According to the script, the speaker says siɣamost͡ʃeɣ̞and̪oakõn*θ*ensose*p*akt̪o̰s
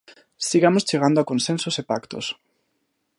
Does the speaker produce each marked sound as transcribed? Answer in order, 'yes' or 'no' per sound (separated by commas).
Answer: no, yes